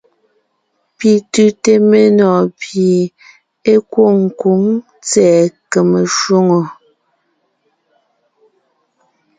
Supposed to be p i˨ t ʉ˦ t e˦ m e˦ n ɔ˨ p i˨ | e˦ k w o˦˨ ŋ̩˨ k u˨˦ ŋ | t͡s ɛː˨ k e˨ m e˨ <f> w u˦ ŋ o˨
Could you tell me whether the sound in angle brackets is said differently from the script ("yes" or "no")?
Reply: yes